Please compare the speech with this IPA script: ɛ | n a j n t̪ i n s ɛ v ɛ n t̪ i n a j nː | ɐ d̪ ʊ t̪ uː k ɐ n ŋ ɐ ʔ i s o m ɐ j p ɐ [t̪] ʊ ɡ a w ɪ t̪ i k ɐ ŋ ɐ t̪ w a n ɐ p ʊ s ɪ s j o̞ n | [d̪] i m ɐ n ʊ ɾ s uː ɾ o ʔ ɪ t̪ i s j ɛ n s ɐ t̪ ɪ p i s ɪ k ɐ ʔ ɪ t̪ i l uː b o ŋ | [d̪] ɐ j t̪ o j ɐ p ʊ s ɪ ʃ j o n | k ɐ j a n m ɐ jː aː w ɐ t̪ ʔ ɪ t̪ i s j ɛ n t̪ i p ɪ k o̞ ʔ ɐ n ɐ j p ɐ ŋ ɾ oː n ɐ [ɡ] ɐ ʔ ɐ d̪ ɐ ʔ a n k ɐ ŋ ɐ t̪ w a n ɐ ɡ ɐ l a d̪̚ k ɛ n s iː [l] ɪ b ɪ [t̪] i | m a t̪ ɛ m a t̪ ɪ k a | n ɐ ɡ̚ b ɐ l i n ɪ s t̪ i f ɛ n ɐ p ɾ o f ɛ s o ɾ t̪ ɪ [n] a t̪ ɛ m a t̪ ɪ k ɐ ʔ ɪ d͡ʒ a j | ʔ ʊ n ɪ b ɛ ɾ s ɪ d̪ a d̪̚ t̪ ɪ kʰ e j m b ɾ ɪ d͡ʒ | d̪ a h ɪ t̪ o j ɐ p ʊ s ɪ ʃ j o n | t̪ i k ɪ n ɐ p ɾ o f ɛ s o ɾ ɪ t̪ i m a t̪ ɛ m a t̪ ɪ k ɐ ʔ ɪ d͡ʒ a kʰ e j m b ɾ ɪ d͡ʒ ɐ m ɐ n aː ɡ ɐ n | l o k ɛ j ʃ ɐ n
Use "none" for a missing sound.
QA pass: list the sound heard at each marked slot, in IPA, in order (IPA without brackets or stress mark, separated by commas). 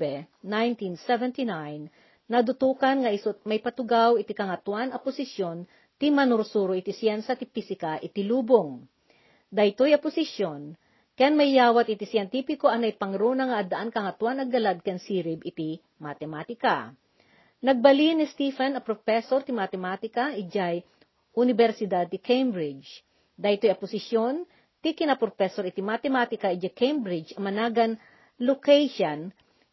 t̪, t̪, d̪, ŋ, ɾ, t̪, m